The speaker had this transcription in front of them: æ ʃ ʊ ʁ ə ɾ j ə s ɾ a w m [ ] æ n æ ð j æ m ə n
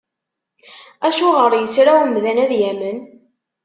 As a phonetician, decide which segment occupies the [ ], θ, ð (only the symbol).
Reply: ð